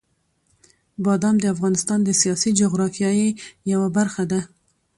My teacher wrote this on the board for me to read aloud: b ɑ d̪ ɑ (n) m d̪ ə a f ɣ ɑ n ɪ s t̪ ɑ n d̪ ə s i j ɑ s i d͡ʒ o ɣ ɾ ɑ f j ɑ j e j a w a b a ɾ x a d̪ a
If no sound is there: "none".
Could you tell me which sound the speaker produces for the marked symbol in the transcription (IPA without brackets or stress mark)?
none